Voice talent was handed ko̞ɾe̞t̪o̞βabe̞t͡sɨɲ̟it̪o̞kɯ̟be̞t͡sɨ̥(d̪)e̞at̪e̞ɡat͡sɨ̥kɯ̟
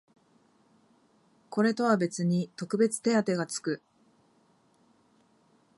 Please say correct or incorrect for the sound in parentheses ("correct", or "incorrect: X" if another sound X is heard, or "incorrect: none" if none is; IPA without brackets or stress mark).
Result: incorrect: t̪